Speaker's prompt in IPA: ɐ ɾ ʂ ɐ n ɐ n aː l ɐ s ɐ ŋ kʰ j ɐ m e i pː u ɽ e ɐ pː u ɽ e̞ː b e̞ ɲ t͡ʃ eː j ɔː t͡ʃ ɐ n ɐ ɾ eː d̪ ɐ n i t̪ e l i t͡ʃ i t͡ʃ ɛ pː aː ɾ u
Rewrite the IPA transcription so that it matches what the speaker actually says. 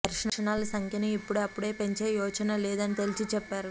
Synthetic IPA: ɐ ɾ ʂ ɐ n ɐ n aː l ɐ s ɐ ŋ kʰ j ɐ n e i pː u ɽ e ɐ pː u ɽ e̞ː p e̞ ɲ t͡ʃ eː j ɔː t͡ʃ ɐ n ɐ l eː d̪ ɐ n i t̪ e l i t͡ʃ i t͡ʃ ɛ pː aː ɾ u